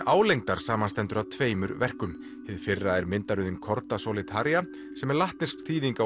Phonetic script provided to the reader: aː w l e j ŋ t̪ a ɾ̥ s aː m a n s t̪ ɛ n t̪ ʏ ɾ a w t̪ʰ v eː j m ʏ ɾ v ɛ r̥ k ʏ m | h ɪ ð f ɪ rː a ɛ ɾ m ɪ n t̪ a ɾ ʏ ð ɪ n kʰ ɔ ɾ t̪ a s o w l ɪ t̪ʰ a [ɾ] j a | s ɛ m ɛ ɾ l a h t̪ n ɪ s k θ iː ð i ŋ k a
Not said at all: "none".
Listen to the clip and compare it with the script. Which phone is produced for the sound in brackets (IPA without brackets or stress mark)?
ɾ